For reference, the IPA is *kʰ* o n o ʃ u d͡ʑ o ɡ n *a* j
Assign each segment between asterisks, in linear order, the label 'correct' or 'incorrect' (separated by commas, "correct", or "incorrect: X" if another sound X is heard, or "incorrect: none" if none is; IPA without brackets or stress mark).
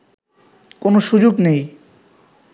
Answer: incorrect: k, incorrect: e